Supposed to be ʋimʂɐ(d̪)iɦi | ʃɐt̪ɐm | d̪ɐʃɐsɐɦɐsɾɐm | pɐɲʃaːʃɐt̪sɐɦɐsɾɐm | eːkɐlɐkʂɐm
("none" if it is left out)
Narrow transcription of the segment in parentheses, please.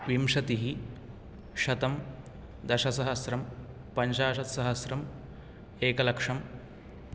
t̪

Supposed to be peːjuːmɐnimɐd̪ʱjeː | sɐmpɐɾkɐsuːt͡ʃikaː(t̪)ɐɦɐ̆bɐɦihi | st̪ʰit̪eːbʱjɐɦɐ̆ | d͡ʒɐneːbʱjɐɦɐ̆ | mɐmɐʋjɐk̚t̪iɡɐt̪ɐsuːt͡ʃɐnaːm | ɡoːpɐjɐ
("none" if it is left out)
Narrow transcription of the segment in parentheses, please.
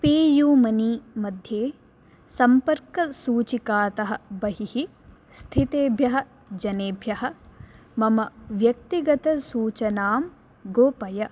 t̪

